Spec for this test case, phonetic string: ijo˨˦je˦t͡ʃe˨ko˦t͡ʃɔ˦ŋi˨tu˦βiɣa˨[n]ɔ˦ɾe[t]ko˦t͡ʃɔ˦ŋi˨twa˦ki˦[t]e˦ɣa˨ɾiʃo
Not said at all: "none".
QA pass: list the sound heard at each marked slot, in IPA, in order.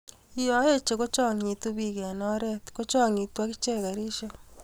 n, t, t͡ʃ

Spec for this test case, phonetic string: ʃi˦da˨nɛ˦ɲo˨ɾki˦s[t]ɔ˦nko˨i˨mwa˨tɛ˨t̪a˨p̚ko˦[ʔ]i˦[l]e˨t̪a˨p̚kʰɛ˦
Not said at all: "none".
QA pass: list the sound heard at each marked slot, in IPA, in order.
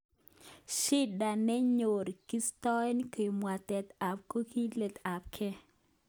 t, k, l

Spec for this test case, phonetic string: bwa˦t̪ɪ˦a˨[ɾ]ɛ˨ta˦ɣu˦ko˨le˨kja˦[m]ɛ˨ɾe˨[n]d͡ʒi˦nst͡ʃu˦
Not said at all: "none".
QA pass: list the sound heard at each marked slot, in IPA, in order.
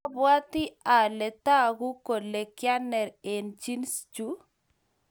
l, n, n

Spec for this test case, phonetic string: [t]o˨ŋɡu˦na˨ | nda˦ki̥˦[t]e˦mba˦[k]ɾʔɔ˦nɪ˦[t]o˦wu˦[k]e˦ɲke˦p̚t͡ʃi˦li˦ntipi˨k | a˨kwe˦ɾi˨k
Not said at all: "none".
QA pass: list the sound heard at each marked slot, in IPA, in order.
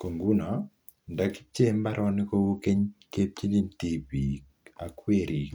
k, t͡ʃ, none, k, k

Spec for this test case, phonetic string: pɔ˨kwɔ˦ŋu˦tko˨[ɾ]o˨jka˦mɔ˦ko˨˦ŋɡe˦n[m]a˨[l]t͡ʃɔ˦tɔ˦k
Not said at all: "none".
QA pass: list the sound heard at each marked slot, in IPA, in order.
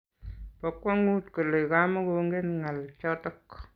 l, ŋ, l

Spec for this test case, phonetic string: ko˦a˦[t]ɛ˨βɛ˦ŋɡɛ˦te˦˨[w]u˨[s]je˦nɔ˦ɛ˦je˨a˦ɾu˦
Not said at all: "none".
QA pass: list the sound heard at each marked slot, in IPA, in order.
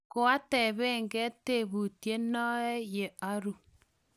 t, β, t

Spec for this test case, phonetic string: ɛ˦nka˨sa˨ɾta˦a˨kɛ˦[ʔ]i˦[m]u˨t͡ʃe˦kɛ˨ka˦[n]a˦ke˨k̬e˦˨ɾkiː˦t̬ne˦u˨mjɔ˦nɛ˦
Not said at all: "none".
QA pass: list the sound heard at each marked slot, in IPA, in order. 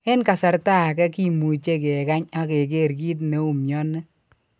k, m, ɲ

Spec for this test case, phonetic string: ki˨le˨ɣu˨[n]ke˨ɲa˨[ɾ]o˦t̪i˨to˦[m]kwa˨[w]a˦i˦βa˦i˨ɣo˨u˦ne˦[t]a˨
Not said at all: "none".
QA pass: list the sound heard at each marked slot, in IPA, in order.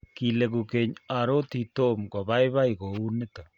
none, ɾ, m, β, t

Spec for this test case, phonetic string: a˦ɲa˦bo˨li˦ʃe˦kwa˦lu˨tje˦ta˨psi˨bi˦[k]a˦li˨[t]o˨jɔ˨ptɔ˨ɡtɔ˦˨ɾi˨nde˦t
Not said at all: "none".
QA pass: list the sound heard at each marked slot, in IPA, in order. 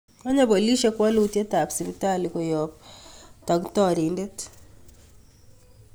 t, k

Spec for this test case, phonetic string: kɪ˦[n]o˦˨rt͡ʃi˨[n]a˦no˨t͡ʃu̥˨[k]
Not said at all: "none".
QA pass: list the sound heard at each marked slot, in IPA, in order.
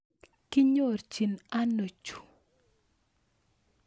ɲ, n, none

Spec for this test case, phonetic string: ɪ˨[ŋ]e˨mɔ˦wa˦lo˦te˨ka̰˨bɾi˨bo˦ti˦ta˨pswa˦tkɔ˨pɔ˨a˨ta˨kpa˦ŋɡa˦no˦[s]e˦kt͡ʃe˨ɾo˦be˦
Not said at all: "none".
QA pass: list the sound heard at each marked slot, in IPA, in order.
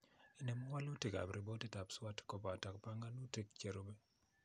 n, t

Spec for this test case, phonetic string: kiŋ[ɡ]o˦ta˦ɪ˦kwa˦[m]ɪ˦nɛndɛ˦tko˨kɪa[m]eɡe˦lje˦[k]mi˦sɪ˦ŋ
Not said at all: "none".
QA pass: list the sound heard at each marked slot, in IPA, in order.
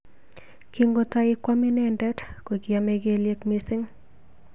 ɡ, m, m, k

